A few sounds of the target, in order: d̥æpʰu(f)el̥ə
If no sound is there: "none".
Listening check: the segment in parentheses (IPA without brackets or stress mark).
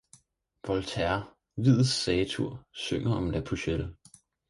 ɕ